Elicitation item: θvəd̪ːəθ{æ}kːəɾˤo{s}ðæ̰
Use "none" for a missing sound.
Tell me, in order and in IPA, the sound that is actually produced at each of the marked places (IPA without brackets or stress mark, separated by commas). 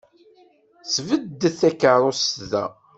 æ, s